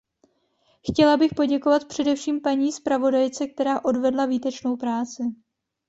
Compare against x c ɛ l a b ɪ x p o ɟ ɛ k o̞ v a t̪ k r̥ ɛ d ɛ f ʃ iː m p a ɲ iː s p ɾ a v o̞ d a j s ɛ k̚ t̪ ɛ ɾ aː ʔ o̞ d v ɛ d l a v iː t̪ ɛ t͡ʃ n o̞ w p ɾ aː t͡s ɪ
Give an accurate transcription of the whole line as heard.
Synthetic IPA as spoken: x c ɛ l a b ɪ x p o ɟ ɛ k o̞ v a t̪ p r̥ ɛ d ɛ f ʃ iː m p a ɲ iː s p ɾ a v o̞ d a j t͡s ɛ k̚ t̪ ɛ ɾ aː ʔ o̞ d v ɛ d l a v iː t̪ ɛ t͡ʃ n o̞ w p ɾ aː t͡s ɪ